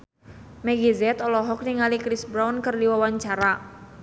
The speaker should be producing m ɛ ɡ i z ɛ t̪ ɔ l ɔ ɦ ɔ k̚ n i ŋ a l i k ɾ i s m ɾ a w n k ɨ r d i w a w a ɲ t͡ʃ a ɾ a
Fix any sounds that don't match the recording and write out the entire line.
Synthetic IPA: m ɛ ɡ i z ɛ t̪ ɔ l ɔ ɦ ɔ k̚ n i ŋ a l i k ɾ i s b ɾ a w n k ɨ r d i w a w a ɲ t͡ʃ a ɾ a